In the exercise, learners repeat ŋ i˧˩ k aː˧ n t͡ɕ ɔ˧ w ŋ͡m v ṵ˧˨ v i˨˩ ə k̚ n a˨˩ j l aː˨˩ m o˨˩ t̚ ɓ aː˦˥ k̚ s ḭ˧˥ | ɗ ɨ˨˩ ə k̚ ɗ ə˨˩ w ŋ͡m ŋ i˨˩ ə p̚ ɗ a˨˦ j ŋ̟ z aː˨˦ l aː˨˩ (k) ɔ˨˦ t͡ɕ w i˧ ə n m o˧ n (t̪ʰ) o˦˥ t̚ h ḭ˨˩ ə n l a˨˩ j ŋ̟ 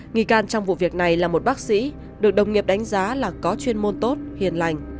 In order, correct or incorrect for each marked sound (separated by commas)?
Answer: correct, incorrect